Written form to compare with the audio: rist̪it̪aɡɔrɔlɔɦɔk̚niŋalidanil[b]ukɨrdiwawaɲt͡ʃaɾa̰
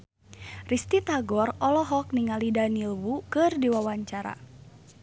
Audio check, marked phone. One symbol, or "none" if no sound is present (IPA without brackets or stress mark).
w